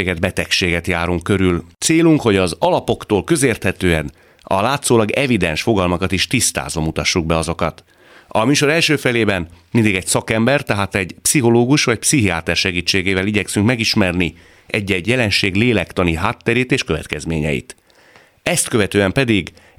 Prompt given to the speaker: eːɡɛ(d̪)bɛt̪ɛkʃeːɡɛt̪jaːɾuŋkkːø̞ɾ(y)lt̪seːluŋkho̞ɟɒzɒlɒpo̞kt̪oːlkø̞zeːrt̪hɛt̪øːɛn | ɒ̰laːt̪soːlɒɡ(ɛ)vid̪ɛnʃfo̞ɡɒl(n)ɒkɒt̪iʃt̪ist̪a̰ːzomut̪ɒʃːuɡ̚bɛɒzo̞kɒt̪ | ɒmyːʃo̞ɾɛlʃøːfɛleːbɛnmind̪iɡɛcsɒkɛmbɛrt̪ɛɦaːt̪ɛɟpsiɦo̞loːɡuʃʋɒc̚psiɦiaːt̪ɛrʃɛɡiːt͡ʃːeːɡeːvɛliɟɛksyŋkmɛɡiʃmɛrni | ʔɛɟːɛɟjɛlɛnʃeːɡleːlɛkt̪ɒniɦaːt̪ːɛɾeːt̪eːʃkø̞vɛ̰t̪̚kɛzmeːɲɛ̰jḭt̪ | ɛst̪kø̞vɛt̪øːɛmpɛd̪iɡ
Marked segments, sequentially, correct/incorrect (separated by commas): correct, correct, correct, incorrect